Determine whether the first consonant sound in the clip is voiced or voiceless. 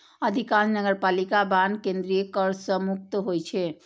voiced